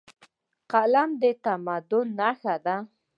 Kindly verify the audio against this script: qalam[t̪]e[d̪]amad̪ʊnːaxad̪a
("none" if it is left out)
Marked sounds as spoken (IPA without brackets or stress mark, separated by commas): d̪, t̪